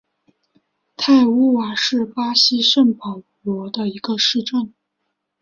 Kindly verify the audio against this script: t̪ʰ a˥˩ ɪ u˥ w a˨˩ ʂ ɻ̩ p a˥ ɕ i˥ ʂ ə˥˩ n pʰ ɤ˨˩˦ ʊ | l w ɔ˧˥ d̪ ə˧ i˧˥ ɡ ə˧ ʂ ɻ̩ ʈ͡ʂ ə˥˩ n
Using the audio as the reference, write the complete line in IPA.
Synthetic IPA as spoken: t̪ʰ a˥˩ ɪ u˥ w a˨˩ ʂ ɻ̩ p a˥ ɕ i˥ ʂ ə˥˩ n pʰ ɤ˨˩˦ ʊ | l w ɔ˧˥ d̪ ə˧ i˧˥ ɡ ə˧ ʂ ɻ̩ ʈ͡ʂ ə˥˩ n